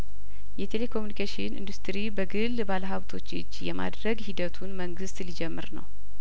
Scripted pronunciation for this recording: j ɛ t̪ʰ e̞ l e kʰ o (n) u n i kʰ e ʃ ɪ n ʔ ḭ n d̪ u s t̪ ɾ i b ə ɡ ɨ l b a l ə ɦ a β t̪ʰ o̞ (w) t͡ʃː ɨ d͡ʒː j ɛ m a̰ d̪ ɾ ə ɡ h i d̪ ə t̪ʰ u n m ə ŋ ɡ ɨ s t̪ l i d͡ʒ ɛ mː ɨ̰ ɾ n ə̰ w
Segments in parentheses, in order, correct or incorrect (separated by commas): incorrect, incorrect